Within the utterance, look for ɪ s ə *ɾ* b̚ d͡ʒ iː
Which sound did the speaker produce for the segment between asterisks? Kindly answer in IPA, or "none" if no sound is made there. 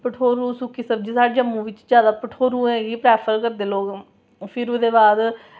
none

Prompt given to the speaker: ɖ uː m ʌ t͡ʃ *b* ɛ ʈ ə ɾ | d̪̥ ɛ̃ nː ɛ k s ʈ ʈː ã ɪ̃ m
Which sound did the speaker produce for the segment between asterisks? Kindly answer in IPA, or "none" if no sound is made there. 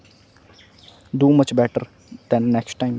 b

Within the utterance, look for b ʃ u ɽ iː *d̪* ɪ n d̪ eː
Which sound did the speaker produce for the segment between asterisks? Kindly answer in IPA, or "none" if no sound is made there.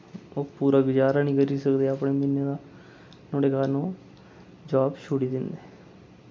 d̪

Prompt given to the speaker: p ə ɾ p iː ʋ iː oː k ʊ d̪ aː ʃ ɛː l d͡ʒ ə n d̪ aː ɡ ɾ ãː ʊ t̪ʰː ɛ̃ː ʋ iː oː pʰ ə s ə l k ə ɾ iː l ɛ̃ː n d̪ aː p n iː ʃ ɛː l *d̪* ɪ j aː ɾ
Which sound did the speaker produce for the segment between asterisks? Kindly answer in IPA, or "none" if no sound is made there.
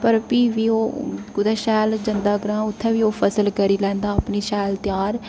t̪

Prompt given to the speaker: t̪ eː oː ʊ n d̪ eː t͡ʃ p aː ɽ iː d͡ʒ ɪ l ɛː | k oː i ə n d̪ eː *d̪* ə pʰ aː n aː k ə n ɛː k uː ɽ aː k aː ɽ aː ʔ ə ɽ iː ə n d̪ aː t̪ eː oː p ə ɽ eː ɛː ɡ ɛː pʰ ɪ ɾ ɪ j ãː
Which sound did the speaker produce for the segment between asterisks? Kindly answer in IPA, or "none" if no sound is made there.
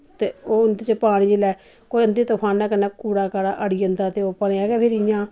t̪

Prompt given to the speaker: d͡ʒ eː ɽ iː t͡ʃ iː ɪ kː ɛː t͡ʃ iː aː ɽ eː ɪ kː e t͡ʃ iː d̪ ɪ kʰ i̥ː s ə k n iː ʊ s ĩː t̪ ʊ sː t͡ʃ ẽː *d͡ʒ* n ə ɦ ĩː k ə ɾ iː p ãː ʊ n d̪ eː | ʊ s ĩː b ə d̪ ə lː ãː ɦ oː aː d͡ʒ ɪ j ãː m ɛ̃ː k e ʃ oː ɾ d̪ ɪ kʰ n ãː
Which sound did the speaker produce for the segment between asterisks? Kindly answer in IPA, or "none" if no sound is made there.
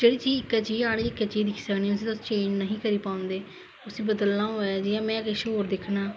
d͡ʒ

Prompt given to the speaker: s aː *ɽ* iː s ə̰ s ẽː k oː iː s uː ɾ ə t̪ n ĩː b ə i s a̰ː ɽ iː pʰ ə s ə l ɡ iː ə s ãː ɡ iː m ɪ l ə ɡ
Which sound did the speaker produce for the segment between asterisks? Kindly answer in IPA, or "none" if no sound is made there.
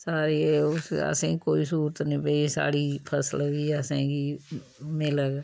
ɾ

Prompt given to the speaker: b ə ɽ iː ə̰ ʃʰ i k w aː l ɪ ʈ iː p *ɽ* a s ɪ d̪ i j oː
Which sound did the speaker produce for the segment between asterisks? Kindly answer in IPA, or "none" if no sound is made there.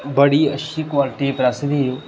ɾ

